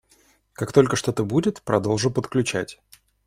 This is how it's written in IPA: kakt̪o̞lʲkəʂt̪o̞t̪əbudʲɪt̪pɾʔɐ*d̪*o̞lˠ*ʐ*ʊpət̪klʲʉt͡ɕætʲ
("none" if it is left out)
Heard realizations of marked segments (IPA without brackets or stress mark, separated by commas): d̪, ʐ